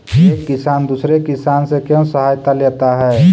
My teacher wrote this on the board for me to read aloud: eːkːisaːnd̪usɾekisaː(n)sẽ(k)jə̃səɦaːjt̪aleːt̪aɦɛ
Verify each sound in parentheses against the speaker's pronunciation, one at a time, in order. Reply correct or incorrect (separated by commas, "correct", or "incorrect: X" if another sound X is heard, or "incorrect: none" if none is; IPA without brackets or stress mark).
correct, correct